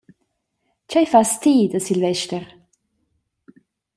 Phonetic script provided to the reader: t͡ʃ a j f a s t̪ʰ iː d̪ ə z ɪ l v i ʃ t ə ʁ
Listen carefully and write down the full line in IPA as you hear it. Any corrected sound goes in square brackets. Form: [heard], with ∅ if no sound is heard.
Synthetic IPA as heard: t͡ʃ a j f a s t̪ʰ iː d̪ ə [s] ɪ l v [ɛ] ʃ t ə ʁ